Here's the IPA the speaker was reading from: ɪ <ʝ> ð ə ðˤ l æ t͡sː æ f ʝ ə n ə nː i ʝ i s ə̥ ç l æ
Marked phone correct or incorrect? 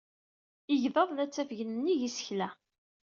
correct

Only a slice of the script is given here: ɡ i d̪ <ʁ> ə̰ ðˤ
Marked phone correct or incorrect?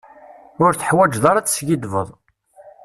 incorrect: v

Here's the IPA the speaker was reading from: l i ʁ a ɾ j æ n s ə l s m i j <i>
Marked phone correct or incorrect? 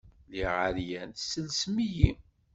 correct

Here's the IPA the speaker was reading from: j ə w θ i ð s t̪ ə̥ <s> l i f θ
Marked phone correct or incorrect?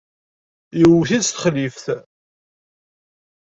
incorrect: χ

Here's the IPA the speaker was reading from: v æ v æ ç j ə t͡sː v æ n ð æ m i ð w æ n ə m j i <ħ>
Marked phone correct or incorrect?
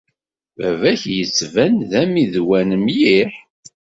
correct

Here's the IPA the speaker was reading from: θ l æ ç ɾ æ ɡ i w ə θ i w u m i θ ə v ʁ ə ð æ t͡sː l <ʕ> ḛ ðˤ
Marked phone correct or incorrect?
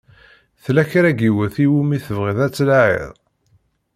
correct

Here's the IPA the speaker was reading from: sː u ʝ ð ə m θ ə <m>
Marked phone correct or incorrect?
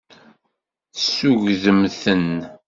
incorrect: n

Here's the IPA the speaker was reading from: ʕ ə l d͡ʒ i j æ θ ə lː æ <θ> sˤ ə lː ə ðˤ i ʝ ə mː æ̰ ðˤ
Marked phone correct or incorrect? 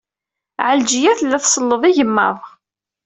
correct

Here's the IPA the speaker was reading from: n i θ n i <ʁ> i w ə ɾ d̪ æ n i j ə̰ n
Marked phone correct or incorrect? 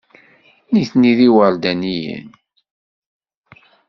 incorrect: ð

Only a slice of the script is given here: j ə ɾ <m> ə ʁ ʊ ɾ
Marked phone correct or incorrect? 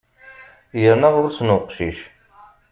incorrect: n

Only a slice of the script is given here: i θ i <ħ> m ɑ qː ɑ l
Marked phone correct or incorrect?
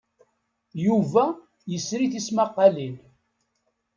incorrect: s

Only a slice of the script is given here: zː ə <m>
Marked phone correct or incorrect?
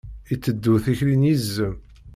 correct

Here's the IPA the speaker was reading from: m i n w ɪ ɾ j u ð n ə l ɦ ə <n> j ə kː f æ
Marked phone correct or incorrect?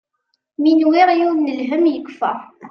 incorrect: m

